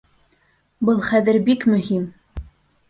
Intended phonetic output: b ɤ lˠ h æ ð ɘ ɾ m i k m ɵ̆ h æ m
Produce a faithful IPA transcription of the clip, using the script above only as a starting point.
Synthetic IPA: b ɤ lˠ χ æ ð ɘ ɾ b i k m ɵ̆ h i m